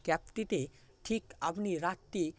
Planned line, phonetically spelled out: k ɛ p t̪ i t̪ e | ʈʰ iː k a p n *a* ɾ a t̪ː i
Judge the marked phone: incorrect: i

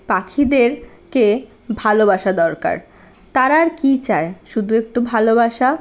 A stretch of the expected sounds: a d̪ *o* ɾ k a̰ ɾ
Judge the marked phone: incorrect: ɔ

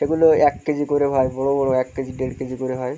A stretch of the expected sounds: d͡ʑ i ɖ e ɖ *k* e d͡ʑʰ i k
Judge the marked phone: correct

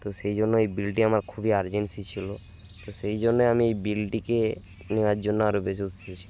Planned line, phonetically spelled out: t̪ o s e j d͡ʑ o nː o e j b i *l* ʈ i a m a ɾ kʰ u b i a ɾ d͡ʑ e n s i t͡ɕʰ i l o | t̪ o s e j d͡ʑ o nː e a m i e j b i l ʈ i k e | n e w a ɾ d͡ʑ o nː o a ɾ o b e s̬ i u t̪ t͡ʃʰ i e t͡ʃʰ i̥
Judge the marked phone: correct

